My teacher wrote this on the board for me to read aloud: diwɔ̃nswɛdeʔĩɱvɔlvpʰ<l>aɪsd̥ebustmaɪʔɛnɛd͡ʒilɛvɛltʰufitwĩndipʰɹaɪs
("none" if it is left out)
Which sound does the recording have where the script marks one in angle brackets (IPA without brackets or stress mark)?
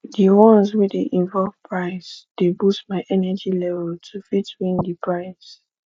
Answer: ɹ